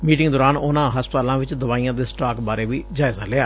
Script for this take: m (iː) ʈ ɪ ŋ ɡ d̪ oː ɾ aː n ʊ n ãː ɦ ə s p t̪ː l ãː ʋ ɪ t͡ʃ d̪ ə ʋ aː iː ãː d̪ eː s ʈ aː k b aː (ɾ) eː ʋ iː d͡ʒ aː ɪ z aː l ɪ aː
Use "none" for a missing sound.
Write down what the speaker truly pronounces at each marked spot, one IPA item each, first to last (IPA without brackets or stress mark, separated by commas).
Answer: iː, ɾ